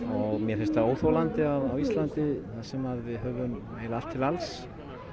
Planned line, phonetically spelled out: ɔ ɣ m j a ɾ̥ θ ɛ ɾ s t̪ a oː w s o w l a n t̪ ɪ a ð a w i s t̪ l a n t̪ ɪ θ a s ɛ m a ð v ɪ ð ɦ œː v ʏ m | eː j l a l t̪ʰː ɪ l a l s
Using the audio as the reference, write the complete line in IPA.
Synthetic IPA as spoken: ɔ ɣ m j ɛ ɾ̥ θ ɛ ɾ s t̪ a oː w θ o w l a n t̪ ɪ a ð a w i s t̪ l a n t̪ ɪ θ a s ɛ m a ð v ɪ ð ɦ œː v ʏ m | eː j l a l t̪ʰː ɪ l a l s